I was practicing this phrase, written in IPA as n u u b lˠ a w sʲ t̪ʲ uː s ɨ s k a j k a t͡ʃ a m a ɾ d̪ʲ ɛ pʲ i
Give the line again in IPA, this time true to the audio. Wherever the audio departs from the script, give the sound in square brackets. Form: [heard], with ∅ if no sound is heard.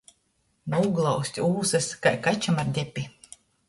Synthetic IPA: n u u [ɡ] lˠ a w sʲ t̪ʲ uː s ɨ s k a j k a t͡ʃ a m a ɾ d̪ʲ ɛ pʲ i